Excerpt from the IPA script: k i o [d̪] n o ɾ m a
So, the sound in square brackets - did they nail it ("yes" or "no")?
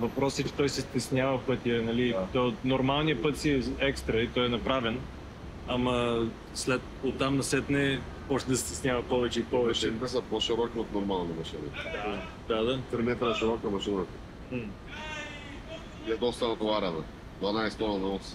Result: no